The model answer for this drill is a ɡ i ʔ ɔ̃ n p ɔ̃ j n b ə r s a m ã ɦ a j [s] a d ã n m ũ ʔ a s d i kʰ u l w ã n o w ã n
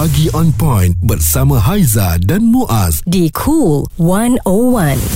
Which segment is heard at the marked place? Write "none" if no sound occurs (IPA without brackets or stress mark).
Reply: z